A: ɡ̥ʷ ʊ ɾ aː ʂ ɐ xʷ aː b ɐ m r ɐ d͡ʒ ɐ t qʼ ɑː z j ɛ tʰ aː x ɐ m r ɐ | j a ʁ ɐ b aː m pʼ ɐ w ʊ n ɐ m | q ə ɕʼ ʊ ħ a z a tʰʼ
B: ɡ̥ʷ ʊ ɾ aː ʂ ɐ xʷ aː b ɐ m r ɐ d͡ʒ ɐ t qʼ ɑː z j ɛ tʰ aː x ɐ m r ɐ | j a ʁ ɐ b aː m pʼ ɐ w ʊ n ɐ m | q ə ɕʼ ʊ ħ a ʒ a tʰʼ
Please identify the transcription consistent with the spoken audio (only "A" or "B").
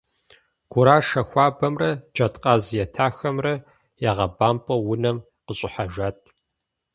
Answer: B